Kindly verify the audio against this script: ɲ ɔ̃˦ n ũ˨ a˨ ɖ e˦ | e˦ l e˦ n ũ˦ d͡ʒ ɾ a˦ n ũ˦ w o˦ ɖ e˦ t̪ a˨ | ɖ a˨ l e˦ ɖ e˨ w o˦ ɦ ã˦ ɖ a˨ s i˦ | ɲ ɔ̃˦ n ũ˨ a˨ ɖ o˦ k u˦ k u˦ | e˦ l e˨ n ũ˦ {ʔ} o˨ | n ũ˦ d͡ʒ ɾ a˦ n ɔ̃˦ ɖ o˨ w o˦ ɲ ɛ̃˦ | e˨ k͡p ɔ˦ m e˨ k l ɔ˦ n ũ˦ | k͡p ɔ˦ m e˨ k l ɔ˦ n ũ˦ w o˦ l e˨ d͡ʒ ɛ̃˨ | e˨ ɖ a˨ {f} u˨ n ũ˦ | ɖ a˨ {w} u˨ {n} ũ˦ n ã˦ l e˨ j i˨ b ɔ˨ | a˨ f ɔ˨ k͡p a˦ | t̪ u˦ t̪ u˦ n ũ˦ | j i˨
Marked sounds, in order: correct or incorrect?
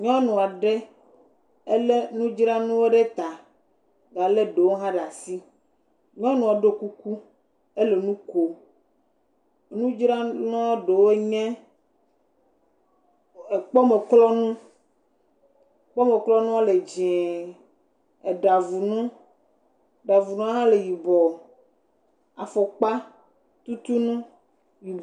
incorrect: k, incorrect: v, incorrect: v, correct

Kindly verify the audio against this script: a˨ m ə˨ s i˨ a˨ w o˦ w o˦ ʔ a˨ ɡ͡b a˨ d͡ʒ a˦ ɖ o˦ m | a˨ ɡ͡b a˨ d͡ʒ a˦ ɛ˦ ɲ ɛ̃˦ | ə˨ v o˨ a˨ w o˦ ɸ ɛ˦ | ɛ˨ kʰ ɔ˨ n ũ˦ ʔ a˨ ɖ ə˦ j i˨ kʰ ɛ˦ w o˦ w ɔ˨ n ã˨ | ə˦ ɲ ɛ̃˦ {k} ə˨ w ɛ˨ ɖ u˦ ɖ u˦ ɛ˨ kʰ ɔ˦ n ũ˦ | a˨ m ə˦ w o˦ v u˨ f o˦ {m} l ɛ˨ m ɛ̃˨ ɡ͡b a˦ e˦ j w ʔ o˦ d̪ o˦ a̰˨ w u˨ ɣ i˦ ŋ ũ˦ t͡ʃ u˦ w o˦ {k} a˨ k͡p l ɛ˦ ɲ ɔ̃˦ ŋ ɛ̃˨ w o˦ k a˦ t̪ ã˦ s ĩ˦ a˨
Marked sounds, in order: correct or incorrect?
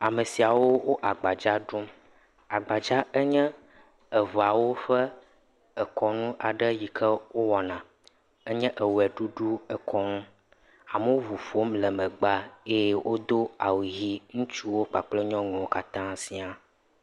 incorrect: ʔ, correct, incorrect: k͡p

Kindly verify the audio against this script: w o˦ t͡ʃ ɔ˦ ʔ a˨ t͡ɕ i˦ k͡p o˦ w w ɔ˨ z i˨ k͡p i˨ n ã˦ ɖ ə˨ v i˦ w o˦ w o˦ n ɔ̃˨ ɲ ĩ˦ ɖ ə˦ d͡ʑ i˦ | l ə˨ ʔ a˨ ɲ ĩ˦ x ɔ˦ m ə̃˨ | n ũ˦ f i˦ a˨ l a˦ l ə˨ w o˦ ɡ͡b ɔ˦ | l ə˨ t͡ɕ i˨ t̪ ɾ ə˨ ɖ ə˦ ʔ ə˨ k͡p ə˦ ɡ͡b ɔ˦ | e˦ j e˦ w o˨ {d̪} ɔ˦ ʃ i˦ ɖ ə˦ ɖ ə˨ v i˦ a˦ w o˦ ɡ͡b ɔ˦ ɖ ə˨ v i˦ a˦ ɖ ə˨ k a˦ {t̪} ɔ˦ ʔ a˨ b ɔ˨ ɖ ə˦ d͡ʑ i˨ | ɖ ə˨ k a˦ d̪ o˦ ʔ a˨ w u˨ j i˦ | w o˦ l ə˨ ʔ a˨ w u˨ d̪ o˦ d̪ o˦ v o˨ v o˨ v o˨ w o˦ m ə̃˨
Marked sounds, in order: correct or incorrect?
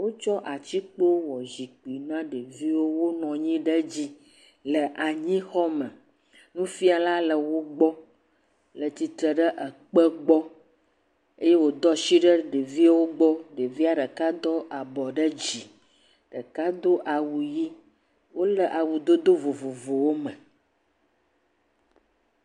correct, incorrect: d̪

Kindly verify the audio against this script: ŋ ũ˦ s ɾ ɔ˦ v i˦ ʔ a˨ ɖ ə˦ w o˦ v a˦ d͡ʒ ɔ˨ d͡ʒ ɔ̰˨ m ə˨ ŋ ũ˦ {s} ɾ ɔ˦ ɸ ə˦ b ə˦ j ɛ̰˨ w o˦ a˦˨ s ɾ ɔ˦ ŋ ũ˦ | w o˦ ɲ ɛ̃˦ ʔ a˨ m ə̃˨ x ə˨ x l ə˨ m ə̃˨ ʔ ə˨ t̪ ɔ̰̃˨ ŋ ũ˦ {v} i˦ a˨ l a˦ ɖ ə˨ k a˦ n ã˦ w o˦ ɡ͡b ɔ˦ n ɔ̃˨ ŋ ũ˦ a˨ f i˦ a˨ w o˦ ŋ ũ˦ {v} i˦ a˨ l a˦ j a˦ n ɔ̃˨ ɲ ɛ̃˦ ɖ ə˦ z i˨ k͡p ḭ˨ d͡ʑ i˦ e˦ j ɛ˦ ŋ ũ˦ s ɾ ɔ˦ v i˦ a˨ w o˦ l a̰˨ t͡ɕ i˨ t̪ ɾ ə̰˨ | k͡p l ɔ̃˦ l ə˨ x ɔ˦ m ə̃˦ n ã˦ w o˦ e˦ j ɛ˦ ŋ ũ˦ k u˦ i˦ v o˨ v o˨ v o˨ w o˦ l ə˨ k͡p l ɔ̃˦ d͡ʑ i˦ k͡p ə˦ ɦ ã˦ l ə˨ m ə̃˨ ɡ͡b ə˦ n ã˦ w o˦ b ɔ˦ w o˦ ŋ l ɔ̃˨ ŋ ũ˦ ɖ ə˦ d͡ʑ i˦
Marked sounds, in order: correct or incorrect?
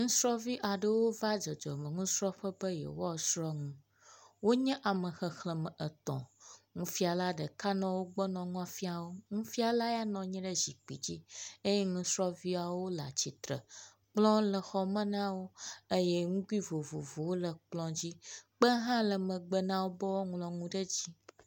correct, incorrect: f, incorrect: f

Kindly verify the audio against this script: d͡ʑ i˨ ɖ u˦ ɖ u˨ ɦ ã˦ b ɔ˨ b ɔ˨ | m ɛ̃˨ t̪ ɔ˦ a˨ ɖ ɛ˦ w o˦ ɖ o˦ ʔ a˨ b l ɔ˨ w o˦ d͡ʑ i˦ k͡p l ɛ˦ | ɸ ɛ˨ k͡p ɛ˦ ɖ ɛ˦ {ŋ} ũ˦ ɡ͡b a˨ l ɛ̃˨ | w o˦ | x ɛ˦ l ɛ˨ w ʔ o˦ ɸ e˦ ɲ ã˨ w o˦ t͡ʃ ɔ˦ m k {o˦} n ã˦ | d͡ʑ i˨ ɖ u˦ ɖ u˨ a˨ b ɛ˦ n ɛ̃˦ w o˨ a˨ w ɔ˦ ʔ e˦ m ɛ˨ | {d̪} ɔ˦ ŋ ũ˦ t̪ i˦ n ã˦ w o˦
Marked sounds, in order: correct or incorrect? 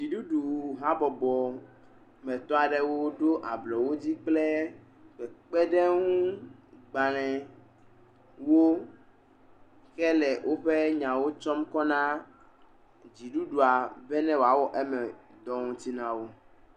correct, incorrect: ɔ˦, correct

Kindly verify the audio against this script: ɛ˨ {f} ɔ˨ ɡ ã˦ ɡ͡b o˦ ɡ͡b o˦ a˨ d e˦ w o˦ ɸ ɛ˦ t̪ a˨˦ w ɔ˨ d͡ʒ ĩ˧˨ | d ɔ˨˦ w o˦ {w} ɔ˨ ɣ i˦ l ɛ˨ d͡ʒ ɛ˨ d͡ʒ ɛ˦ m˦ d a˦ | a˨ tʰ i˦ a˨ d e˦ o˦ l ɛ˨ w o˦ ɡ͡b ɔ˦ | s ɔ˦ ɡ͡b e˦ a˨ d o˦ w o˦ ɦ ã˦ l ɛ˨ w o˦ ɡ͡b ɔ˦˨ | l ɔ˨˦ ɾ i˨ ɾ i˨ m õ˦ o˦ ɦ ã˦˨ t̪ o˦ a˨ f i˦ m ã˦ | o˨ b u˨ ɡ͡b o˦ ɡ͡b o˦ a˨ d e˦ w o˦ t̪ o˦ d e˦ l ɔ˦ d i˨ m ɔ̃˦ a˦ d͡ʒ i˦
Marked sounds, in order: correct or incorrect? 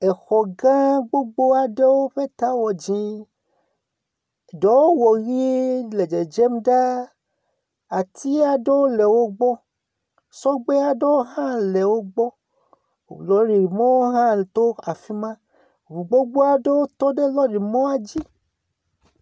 incorrect: x, correct

